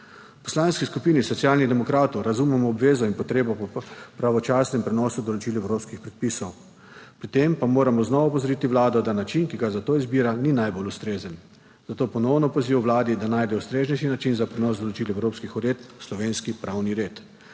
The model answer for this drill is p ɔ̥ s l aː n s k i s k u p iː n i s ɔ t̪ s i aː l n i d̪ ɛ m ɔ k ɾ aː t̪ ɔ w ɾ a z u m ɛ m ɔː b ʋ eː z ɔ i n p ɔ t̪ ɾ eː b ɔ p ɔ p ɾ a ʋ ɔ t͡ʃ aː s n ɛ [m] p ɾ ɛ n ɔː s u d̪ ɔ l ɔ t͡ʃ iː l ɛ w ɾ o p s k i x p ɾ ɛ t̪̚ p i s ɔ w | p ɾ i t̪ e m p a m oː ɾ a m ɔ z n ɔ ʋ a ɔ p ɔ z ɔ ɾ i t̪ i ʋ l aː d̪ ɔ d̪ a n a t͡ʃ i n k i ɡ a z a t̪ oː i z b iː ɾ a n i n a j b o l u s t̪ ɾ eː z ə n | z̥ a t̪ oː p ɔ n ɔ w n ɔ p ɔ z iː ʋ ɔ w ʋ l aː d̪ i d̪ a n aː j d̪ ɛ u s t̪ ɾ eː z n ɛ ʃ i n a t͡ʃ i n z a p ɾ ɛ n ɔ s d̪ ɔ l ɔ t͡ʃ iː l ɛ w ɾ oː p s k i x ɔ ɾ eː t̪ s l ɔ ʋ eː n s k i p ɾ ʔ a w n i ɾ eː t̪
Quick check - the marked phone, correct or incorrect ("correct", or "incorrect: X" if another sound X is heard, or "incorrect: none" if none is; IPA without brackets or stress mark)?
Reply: correct